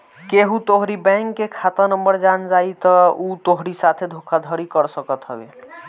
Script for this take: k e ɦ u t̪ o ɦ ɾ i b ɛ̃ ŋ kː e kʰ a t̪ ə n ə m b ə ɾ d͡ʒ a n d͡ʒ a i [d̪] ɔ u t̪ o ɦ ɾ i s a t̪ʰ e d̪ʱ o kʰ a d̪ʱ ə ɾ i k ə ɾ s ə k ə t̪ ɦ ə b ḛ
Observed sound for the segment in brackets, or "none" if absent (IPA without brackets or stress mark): t̪